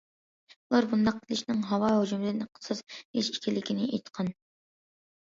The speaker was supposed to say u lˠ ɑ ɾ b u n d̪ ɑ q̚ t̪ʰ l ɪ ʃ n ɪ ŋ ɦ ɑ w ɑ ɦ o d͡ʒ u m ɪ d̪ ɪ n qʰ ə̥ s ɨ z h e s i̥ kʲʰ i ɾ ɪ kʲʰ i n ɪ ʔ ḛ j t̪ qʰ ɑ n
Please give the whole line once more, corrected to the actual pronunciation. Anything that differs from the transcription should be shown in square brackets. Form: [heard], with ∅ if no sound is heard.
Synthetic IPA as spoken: u lˠ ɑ ɾ b u n d̪ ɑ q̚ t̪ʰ l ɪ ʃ n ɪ ŋ ɦ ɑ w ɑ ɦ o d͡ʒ u m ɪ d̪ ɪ n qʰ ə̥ s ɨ z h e [ʃ] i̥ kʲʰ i [l] ɪ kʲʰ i n ɪ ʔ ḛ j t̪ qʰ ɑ n